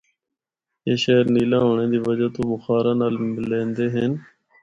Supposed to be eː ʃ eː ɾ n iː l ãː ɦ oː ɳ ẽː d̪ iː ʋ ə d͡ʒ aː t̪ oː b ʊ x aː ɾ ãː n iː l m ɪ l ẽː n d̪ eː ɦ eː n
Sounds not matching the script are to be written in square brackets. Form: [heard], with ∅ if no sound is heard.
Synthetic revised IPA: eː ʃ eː ɾ n iː l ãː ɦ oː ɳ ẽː d̪ iː ʋ ə d͡ʒ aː t̪ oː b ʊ x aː ɾ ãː n [aː] l m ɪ l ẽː n d̪ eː ɦ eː n

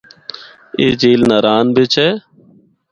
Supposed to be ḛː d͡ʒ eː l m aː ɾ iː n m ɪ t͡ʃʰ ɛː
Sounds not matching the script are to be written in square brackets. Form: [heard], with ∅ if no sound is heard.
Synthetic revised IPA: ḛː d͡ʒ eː l [n] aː ɾ [aː] n [b] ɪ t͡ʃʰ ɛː

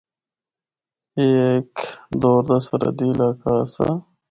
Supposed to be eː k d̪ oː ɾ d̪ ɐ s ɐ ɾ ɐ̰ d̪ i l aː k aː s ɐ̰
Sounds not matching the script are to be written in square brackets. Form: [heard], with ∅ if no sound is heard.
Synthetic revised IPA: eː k d̪ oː ɾ d̪ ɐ s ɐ ɾ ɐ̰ d̪ i l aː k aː s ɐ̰

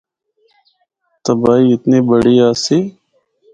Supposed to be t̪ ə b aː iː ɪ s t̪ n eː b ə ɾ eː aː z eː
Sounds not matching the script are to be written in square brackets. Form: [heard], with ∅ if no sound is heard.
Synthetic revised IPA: t̪ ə b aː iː ɪ [∅] t̪ n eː b ə [ɽ] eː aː [s] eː

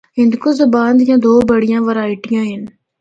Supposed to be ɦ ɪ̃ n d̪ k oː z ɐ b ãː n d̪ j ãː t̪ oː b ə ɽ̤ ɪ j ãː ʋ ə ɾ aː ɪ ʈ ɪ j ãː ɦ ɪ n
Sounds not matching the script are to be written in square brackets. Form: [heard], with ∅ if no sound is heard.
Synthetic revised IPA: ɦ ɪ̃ n d̪ k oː z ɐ b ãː n d̪ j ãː [d̪] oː b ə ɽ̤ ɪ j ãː ʋ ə ɾ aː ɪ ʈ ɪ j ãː ɦ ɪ n

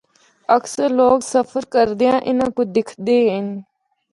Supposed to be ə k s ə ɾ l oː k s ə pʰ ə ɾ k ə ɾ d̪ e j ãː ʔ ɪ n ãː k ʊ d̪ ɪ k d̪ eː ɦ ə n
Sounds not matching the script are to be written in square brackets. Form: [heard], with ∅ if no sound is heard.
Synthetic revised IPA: ə k s ə ɾ l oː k s ə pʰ ə ɾ k ə ɾ d̪ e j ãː ʔ ɪ n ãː k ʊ d̪ ɪ [kʰ] d̪ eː ɦ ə n

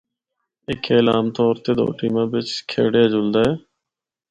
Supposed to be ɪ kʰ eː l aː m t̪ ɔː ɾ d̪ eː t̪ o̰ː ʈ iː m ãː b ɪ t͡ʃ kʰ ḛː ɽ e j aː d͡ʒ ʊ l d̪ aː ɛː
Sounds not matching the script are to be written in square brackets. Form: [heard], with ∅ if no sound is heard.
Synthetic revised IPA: ɪ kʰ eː l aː m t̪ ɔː ɾ [t̪] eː [d̪] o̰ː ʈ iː m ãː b ɪ t͡ʃ kʰ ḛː ɽ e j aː d͡ʒ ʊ l d̪ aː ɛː

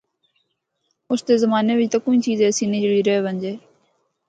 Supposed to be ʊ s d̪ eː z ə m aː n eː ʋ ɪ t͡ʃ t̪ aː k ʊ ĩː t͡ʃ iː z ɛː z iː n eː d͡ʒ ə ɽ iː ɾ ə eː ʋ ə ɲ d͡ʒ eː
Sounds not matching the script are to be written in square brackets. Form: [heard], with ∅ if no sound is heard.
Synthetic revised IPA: ʊ s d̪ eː z ə m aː n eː ʋ ɪ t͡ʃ t̪ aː k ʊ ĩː t͡ʃ iː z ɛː [s] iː n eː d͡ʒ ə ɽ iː ɾ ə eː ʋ ə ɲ d͡ʒ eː

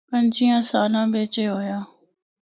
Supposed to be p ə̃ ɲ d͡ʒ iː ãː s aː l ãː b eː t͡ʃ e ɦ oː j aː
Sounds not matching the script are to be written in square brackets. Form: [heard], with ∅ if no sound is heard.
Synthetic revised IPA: p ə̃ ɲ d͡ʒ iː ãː s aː l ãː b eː t͡ʃ e ɦ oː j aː

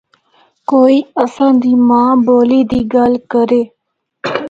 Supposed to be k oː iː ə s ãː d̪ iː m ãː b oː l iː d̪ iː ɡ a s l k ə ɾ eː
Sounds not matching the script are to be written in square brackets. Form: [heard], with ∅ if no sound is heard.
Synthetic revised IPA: k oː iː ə s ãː d̪ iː m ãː b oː l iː d̪ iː ɡ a [∅] l k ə ɾ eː

